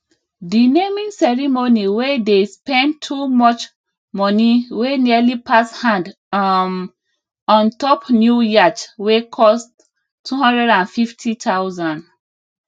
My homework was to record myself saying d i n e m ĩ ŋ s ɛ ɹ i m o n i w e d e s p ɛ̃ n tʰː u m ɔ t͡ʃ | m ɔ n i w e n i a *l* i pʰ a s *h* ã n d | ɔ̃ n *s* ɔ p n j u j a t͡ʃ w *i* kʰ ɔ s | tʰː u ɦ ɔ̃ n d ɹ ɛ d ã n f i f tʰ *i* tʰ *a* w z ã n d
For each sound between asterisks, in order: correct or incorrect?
correct, correct, incorrect, incorrect, correct, correct

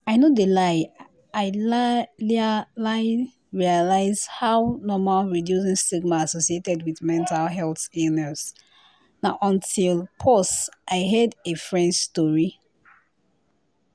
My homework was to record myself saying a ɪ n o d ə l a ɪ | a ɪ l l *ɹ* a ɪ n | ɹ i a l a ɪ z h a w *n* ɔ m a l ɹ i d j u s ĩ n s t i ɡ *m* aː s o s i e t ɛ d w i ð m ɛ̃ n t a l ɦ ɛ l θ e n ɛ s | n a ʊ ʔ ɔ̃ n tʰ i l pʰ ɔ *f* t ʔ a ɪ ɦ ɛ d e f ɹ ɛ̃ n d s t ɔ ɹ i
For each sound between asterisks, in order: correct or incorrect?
incorrect, correct, correct, incorrect

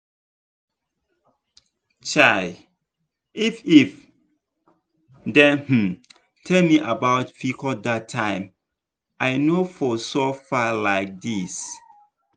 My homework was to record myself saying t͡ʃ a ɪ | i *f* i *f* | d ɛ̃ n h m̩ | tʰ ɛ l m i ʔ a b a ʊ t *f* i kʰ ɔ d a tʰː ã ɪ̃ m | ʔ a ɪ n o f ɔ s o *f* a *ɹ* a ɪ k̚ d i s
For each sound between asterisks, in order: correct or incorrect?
correct, correct, correct, correct, incorrect

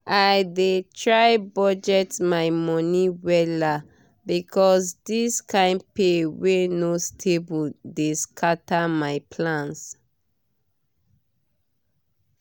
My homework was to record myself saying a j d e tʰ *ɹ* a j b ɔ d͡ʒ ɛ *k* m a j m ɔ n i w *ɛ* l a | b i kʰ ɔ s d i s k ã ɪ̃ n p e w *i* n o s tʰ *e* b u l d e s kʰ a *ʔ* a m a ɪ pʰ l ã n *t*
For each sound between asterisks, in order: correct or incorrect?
correct, incorrect, correct, incorrect, correct, incorrect, incorrect

